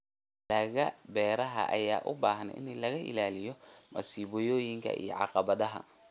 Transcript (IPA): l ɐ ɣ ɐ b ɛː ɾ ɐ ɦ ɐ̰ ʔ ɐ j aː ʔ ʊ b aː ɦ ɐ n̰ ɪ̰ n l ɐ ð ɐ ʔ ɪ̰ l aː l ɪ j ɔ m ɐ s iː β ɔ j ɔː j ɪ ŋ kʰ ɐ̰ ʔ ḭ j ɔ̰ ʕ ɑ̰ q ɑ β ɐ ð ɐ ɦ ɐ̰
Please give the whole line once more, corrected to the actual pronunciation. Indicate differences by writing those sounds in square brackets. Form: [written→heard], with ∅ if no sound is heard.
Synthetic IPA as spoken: l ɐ ɣ ɐ b ɛː ɾ ɐ ɦ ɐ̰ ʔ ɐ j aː ʔ ʊ b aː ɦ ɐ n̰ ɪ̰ n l ɐ [ð→ɣ] ɐ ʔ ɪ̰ l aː l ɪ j ɔ m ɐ s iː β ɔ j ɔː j ɪ ŋ kʰ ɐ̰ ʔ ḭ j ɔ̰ ʕ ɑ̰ q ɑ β ɐ ð ɐ ɦ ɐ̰